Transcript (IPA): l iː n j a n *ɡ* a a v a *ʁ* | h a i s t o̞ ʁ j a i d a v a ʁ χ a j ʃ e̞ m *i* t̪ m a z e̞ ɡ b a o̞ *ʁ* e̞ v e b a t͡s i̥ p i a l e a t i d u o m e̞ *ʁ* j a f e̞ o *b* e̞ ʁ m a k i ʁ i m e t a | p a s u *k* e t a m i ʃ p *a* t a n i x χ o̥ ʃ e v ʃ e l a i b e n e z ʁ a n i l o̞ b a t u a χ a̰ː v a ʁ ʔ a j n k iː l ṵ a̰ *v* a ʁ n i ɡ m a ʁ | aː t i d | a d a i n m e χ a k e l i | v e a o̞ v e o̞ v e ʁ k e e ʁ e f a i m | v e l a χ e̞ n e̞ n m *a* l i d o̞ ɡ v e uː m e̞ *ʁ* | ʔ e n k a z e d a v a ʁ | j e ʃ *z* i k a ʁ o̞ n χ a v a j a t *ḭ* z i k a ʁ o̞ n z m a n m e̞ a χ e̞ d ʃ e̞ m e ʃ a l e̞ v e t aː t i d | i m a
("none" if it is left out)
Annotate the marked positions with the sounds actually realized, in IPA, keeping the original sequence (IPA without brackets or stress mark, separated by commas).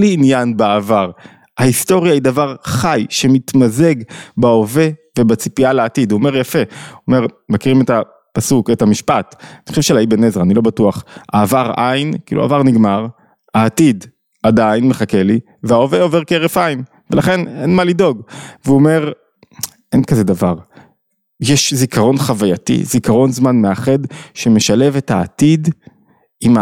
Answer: b, ʁ, i, v, ʁ, m, k, a, v, a, ʁ, z, ḭ